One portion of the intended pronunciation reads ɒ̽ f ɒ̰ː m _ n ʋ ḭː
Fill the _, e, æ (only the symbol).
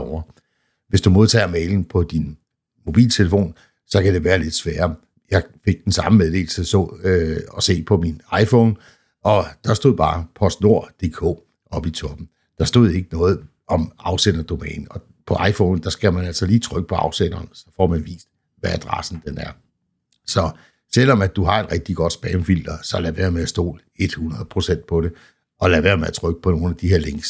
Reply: æ